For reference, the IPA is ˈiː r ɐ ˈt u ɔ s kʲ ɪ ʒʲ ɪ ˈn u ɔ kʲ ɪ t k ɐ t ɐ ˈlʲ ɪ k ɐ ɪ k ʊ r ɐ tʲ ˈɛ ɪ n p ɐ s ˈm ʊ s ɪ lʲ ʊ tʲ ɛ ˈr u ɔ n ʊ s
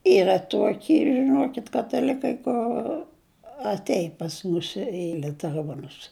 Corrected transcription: ˈiː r ɐ ˈt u ɔ kʲ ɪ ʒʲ ɪ ˈn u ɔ kʲ ɪ t k ɐ t ɐ ˈlʲ ɪ k ɐ ɪ k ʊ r ɐ tʲ ˈɛ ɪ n p ɐ s ˈm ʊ s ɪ lʲ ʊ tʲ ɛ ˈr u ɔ n ʊ s